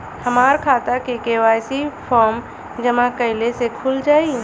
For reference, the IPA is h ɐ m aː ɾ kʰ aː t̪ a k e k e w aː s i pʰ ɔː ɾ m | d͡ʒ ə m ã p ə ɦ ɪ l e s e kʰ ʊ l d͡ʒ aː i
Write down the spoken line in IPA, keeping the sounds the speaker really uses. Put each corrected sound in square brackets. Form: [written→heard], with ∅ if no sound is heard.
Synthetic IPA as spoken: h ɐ m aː ɾ kʰ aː t̪ a k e k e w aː s i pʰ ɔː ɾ m | d͡ʒ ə m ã [p→k] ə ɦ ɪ l e s e kʰ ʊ l d͡ʒ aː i